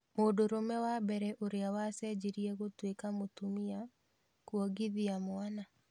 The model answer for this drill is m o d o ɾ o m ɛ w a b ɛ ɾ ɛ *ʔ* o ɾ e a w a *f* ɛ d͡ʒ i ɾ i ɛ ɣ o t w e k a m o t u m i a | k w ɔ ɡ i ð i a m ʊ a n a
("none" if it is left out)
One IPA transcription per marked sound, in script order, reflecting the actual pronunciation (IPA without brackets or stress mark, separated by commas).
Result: ʔ, s